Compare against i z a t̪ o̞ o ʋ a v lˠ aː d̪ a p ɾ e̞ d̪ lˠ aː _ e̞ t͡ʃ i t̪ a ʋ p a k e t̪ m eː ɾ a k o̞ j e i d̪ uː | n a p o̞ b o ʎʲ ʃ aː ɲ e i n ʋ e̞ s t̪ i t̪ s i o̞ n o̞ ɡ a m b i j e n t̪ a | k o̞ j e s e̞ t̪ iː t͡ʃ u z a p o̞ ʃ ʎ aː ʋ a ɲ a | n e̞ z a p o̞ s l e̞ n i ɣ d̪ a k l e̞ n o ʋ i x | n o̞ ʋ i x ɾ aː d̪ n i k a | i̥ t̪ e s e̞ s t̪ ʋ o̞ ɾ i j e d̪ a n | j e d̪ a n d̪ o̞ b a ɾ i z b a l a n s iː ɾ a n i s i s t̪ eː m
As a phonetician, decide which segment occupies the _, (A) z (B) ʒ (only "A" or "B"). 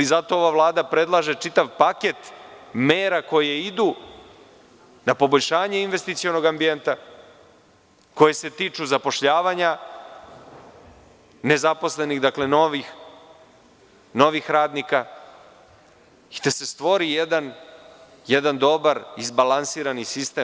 B